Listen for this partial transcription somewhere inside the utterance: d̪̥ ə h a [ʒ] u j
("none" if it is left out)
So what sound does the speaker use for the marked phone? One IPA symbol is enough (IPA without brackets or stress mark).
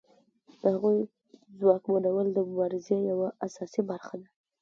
ɣ